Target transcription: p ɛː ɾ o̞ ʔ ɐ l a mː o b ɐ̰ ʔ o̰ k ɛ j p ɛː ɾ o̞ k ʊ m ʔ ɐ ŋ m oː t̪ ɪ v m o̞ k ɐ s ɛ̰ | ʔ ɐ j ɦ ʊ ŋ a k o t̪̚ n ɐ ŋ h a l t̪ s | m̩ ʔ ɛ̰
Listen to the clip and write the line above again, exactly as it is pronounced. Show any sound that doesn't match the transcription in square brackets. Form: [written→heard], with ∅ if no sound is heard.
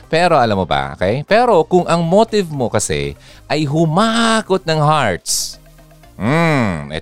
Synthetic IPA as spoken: p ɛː ɾ o̞ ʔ ɐ l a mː o b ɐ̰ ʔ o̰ k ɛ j p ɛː ɾ o̞ k ʊ [m→ŋ] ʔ ɐ ŋ m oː t̪ ɪ v m o̞ k ɐ s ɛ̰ | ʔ ɐ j ɦ ʊ [ŋ→m] a k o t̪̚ n ɐ ŋ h a [l→ɹ] t̪ s | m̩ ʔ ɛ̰